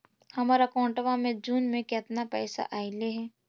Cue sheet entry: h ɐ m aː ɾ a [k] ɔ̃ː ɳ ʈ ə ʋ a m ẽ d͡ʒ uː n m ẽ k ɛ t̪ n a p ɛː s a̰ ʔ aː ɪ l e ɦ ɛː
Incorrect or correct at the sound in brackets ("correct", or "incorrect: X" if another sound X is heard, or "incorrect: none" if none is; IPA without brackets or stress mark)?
correct